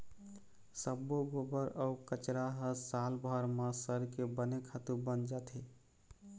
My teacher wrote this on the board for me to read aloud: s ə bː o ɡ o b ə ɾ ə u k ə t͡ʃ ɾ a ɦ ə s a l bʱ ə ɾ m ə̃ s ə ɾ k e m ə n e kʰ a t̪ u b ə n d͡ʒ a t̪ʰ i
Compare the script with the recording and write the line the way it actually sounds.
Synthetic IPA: s ə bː o ɡ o b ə ɾ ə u k ə t͡ʃ ɾ a ɦ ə s a l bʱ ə ɾ m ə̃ s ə ɾ k e b ə n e kʰ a t̪ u b ə n d͡ʒ a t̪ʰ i